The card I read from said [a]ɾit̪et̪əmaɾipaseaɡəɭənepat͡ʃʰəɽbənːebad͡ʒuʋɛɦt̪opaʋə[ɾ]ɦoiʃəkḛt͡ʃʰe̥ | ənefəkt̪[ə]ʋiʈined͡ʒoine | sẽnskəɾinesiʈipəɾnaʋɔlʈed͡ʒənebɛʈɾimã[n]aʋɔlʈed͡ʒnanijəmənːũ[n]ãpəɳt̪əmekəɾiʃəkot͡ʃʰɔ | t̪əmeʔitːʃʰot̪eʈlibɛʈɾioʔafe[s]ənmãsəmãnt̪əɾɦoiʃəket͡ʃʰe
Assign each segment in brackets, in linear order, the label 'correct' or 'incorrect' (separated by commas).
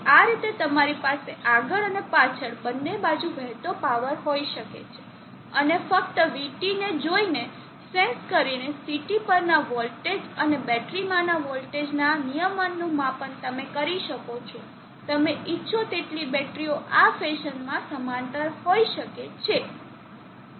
correct, correct, correct, correct, incorrect, incorrect